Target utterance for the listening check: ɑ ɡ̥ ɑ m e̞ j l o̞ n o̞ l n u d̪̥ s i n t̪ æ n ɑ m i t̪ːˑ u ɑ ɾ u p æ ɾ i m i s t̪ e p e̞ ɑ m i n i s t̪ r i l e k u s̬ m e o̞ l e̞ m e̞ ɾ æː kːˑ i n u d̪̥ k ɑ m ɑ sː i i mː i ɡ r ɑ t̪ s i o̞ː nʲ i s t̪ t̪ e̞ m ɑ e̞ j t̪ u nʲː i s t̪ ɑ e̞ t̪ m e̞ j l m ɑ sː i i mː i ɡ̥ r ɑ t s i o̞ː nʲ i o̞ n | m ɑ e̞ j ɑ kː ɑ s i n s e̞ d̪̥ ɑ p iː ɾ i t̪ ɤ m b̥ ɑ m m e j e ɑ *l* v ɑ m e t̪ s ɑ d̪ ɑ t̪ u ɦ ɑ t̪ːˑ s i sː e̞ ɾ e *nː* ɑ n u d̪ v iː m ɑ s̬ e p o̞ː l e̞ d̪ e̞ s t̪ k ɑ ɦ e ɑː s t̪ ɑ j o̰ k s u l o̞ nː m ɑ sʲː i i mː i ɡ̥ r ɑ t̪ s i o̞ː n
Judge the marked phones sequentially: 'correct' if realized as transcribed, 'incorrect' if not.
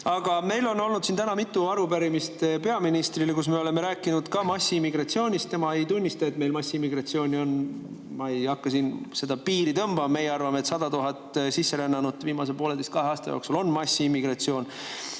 incorrect: r, correct

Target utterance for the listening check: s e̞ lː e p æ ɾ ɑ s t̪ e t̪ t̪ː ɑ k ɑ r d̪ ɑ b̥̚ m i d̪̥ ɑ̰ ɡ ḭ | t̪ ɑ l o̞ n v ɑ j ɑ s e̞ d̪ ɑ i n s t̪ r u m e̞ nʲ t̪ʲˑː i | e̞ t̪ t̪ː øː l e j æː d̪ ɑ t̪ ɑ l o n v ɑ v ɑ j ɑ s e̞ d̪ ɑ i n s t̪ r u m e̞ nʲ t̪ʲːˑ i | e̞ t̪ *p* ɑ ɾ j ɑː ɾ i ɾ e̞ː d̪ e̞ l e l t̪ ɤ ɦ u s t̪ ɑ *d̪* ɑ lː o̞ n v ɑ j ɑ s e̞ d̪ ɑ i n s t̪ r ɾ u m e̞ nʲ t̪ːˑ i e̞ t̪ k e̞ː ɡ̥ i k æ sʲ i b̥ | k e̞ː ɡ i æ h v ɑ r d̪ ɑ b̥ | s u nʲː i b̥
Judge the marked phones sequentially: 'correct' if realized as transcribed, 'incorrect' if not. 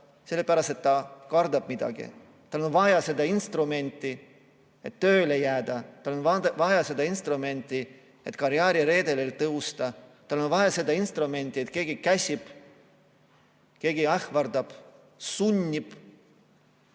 incorrect: k, incorrect: t̪

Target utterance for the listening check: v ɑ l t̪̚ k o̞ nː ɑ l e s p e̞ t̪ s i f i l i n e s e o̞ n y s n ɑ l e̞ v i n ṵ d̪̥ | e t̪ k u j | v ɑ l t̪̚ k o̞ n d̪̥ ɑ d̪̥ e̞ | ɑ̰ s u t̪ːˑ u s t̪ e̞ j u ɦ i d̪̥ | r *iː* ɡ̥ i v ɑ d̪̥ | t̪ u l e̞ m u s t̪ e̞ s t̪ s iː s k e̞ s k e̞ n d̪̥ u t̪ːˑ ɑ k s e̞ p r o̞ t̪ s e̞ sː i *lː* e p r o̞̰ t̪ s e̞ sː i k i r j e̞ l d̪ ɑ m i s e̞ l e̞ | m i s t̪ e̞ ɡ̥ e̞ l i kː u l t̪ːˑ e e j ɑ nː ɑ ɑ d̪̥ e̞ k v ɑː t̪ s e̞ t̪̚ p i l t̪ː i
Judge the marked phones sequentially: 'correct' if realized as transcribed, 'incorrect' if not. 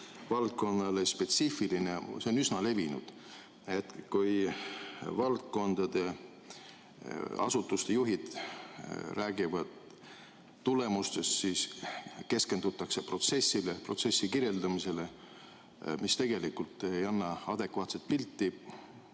incorrect: æː, incorrect: l

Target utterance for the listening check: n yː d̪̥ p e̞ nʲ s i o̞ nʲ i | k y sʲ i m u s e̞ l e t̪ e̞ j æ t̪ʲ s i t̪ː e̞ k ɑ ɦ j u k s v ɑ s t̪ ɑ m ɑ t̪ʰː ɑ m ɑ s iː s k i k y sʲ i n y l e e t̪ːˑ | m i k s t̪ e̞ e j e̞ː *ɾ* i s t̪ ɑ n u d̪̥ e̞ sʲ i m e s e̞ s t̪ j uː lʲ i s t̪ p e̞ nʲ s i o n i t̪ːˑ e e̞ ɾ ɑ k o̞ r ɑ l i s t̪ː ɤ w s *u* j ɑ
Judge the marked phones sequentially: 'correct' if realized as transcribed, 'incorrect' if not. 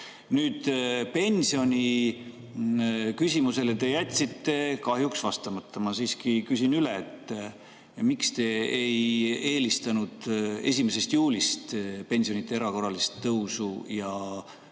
incorrect: l, correct

